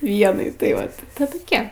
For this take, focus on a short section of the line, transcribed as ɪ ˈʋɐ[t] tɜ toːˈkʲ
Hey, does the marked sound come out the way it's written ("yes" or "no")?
yes